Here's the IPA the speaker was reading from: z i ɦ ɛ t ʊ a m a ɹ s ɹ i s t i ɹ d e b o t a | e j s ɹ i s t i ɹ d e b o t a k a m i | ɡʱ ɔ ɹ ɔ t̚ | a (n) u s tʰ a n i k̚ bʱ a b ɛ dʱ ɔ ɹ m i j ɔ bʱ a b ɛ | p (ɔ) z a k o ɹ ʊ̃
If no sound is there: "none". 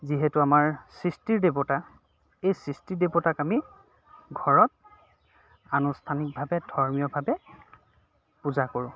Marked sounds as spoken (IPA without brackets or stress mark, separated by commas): n, u